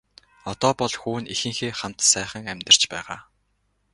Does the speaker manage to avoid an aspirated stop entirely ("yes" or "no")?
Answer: yes